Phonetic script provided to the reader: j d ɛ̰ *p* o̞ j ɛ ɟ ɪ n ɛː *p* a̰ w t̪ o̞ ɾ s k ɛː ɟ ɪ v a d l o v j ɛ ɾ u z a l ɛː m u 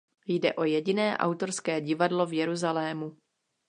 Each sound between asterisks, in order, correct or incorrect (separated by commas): incorrect, incorrect